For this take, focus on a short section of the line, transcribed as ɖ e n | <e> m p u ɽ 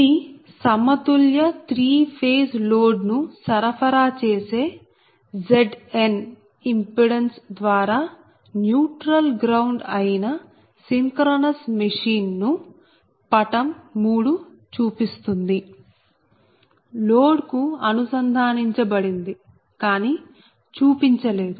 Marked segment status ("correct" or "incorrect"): incorrect